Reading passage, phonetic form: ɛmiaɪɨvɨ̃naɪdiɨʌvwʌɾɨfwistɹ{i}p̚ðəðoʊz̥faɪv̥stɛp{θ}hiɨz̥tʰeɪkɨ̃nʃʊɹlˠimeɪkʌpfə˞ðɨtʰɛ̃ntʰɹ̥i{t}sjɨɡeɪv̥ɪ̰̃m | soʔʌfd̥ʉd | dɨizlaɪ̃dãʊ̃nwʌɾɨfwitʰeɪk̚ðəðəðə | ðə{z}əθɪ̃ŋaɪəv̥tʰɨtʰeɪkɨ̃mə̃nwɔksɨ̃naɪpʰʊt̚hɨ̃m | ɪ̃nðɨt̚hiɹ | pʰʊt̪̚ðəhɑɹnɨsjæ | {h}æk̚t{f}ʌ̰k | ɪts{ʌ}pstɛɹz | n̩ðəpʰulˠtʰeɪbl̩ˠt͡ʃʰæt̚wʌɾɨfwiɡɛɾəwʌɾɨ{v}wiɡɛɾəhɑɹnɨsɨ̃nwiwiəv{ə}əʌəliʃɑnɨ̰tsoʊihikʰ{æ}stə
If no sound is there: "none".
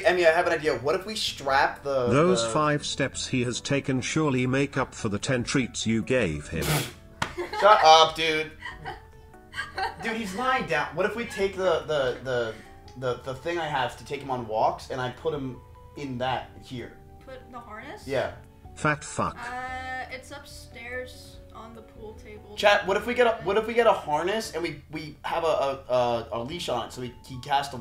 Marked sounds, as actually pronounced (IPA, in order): æ, s, t, ð, f, f, ʌ, f, ə, æ

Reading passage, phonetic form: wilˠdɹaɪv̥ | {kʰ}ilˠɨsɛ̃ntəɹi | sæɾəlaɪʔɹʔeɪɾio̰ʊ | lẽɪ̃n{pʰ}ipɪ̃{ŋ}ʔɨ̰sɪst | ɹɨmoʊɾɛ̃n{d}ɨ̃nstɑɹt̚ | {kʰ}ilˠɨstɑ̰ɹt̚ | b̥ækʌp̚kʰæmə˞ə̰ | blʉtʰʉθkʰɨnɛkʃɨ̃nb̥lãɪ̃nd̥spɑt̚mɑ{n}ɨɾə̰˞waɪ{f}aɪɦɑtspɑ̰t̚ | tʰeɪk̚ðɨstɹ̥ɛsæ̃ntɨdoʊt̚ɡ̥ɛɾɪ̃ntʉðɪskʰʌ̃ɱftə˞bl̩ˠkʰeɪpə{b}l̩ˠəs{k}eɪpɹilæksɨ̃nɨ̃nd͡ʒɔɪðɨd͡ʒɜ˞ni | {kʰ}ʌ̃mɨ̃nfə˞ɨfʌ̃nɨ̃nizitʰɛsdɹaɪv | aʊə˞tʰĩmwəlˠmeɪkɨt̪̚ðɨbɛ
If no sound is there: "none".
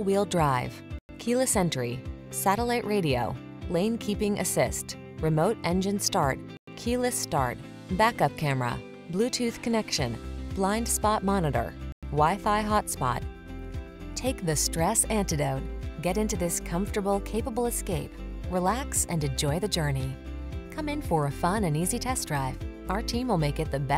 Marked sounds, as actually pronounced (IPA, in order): kʰ, kʰ, ŋ, d͡ʒ, kʰ, n, f, b, k, kʰ

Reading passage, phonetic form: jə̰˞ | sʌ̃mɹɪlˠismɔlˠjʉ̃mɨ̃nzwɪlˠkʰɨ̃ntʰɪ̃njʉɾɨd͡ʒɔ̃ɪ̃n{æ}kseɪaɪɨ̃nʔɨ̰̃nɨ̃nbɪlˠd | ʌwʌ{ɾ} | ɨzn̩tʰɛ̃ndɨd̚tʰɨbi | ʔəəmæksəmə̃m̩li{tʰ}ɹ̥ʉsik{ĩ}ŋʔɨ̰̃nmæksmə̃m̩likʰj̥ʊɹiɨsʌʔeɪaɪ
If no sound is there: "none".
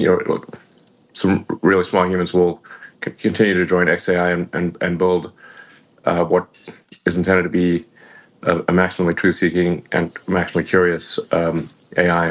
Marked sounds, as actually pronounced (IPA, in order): ɛ, ɾ, tʰ, ɪ̃

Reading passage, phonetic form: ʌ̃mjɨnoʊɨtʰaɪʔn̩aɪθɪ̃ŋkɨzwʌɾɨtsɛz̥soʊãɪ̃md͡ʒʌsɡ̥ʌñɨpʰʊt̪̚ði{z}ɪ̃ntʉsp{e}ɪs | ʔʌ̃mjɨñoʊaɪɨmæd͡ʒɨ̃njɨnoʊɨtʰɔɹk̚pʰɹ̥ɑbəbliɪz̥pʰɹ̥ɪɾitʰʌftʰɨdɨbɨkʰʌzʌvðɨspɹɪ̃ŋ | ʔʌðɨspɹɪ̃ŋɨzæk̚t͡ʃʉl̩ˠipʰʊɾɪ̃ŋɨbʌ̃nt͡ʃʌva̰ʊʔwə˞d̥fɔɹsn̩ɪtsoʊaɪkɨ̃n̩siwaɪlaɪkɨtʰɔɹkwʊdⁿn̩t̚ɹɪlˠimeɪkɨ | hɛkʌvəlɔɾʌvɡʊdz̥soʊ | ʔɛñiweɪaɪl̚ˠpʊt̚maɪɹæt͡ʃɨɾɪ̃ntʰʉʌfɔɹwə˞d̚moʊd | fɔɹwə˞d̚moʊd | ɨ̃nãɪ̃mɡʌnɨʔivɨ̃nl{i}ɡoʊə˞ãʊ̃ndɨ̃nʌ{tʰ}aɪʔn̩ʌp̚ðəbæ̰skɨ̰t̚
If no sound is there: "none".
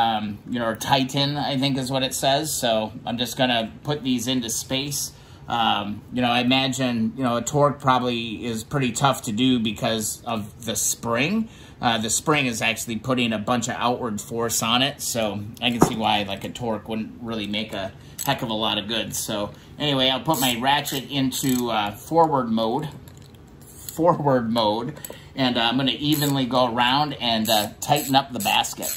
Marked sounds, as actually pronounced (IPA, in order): z, e, i, tʰ

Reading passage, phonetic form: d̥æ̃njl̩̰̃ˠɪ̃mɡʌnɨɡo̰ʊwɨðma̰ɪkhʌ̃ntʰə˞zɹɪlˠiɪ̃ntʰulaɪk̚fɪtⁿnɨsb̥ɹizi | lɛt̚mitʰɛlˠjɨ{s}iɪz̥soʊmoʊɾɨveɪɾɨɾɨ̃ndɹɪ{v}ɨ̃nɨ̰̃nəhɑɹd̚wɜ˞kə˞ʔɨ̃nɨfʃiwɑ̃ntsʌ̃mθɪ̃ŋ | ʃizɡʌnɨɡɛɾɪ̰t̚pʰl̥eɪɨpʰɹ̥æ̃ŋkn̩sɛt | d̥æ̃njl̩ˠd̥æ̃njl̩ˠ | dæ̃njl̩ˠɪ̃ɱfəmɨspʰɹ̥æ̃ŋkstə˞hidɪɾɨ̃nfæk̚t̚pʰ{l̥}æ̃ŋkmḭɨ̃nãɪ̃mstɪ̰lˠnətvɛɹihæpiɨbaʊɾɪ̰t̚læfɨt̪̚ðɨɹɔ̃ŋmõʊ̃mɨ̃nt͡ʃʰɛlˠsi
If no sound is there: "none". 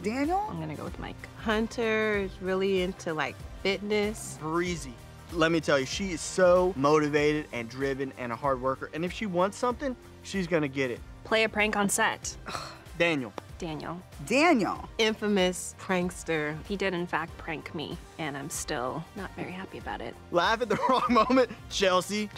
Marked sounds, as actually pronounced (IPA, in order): ʃ, v, ɹ̥

